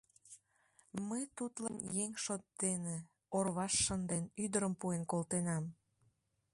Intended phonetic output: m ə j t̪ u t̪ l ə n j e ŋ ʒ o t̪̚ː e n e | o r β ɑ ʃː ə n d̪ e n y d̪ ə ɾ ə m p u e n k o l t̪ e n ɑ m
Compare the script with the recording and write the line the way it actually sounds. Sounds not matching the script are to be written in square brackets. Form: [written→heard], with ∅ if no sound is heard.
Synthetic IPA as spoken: m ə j t̪ u t̪ l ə n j e ŋ [ʒ→ʃ] o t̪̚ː e n e | o r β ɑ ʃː ə n d̪ e n y d̪ ə ɾ ə m p u e n k o l t̪ e n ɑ m